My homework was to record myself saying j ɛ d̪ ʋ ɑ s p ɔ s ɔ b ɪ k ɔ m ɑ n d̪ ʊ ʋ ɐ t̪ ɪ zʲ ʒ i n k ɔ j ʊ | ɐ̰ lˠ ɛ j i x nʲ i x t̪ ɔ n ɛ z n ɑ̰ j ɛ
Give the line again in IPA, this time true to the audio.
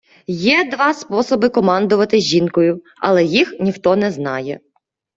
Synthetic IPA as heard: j ɛ d̪ ʋ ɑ s p ɔ s ɔ b ɪ k ɔ m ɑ n d̪ ʊ ʋ ɐ t̪ ɪ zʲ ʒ i n k ɔ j ʊ | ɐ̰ lˠ ɛ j i x nʲ i x t̪ ɔ n ɛ z n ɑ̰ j ɛ